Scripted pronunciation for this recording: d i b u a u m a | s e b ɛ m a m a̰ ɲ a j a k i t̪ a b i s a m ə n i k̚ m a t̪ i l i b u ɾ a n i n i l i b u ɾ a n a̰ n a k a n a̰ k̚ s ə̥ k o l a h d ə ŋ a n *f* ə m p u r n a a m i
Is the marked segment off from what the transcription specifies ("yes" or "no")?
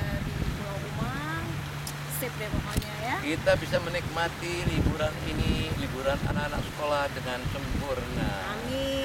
yes